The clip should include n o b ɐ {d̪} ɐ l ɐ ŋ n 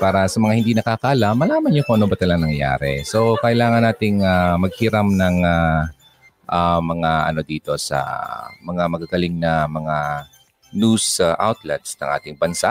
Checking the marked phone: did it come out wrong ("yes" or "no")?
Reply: yes